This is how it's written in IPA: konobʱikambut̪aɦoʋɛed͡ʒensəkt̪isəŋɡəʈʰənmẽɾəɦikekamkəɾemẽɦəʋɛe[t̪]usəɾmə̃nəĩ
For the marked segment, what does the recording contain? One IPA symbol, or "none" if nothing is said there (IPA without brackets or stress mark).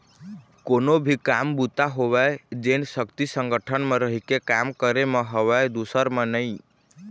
d̪